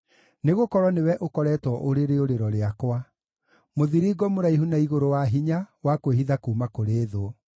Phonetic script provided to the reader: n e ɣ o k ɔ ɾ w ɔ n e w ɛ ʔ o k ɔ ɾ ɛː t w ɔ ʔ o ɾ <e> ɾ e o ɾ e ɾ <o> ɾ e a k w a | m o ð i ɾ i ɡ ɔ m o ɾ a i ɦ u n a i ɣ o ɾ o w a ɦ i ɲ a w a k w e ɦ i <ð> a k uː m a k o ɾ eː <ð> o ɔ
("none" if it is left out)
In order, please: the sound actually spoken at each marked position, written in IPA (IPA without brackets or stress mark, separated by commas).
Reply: e, ɔ, ð, ð